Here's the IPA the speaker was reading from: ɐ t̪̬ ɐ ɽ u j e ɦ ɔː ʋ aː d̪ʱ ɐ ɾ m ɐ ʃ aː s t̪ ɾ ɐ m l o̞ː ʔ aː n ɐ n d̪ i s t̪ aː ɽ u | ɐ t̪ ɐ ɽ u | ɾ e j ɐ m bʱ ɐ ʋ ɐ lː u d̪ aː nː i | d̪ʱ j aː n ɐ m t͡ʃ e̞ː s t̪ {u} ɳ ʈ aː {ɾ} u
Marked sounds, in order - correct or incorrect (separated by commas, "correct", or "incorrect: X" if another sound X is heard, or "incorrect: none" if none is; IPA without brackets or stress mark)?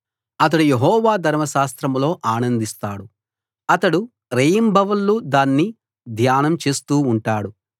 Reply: incorrect: uː, incorrect: ɽ